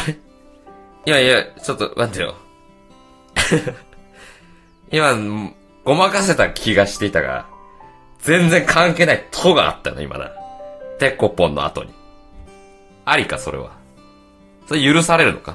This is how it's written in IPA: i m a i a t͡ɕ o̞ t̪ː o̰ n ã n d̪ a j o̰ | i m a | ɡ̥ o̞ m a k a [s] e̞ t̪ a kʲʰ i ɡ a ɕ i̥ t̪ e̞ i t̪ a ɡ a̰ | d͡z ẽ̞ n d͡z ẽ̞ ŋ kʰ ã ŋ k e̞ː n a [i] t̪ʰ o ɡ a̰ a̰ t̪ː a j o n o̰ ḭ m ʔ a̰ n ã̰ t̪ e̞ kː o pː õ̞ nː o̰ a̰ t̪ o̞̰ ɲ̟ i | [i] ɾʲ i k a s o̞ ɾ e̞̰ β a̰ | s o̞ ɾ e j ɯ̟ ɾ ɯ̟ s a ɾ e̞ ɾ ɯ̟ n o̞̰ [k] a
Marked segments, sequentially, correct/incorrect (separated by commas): correct, correct, incorrect, correct